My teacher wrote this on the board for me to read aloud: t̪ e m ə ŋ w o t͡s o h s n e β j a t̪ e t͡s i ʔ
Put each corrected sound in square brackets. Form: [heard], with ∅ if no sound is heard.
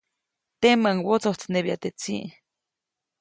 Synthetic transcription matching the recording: t̪ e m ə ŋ w o t͡s o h [t͡s] n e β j a t̪ e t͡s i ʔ